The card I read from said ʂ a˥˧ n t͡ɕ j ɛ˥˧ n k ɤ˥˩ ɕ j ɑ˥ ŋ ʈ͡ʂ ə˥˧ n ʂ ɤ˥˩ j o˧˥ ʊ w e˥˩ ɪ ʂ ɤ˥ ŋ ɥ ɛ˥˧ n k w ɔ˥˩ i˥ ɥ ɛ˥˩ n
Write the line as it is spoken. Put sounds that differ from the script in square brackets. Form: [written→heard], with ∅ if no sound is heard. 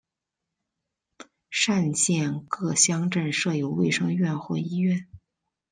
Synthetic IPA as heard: ʂ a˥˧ n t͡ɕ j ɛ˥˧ n k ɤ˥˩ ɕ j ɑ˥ ŋ ʈ͡ʂ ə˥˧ n ʂ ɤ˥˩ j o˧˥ ʊ w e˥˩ ɪ ʂ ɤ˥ ŋ ɥ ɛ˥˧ n [k→x] w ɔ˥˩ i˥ ɥ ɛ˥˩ n